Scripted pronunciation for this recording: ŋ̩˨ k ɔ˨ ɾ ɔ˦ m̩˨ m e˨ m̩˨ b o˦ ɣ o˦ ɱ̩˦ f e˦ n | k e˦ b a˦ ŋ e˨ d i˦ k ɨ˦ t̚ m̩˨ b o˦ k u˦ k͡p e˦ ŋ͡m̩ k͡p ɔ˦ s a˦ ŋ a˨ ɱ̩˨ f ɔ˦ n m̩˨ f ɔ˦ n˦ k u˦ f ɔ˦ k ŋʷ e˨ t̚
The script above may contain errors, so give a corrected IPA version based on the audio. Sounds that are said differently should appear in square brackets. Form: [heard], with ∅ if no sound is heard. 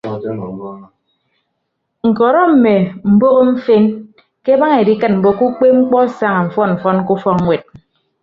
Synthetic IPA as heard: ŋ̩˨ k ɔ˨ ɾ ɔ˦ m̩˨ m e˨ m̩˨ b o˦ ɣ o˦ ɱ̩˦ f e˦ n | k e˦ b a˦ ŋ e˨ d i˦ k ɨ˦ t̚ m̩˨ b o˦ k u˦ k͡p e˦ ŋ͡m̩ k͡p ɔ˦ s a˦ ŋ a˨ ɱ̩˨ f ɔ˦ n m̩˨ f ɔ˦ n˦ k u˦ f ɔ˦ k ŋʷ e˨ t̚

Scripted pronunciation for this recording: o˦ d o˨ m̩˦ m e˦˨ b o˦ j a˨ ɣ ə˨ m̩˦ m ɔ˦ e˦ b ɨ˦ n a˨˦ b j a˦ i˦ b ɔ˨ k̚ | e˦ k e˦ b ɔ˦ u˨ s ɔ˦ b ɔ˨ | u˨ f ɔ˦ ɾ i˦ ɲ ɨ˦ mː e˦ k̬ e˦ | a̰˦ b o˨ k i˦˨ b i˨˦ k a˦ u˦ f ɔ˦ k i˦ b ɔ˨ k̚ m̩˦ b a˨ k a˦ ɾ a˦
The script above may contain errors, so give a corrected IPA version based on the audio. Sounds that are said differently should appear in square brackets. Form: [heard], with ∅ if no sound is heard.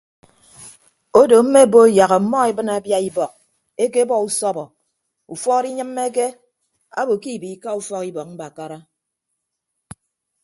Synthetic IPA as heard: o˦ d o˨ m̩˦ m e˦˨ b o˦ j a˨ ɣ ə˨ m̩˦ m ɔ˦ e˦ b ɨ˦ n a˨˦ b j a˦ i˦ b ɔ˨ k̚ | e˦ k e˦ b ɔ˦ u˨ s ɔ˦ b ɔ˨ | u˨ f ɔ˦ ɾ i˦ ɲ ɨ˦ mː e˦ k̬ e˦ | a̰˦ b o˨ k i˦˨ b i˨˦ k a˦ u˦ f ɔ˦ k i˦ b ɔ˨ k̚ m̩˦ b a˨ k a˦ ɾ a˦

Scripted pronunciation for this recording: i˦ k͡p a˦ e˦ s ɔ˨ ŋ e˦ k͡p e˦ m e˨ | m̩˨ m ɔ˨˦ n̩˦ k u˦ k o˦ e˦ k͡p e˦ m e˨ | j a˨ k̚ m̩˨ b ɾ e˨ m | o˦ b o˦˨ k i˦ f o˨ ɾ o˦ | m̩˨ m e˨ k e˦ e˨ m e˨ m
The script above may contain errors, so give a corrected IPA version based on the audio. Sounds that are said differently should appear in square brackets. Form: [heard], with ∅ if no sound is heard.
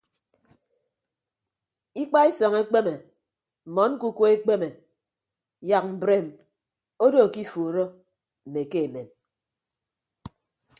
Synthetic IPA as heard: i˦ k͡p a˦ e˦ s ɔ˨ ŋ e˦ k͡p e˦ m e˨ | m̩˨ m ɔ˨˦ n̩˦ k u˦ k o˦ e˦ k͡p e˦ m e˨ | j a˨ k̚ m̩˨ b ɾ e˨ m | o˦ [d] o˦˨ k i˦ f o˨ ɾ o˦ | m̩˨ m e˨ k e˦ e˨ m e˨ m

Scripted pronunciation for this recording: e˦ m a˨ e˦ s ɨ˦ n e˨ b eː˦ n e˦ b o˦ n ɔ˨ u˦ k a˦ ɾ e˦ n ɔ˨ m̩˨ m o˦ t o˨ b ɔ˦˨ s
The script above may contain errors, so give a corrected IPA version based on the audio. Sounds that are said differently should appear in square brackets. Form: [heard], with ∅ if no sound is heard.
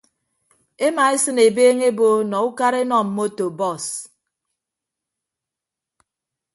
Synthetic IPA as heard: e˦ m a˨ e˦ s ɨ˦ n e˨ b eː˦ [ŋ] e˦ b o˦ n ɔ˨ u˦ k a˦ ɾ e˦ n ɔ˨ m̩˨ m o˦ t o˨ b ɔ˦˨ s

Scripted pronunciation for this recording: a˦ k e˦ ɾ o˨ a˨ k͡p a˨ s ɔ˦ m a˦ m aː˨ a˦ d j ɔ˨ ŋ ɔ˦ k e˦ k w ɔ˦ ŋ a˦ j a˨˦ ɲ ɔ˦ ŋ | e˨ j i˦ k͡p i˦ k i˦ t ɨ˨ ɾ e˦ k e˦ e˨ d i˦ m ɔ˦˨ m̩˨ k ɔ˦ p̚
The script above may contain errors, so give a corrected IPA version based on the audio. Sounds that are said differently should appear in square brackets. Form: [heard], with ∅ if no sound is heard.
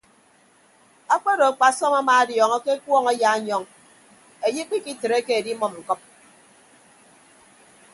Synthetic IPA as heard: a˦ [k͡p] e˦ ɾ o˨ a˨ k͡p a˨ s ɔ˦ m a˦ m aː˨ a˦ d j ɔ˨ ŋ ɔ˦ k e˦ k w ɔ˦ ŋ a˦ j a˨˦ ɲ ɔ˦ ŋ | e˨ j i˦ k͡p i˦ k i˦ t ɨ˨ ɾ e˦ k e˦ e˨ d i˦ m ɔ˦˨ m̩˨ k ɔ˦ p̚

